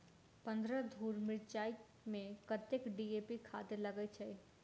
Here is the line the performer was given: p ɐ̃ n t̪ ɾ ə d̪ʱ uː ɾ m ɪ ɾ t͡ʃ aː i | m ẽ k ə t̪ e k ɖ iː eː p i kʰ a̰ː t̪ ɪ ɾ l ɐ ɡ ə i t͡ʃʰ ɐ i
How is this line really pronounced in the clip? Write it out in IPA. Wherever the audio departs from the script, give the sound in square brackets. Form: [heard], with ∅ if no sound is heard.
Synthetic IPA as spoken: p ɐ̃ n [d̪] ɾ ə d̪ʱ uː ɾ m ɪ ɾ t͡ʃ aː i | m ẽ k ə t̪ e k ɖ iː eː p i kʰ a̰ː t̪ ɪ ɾ l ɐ ɡ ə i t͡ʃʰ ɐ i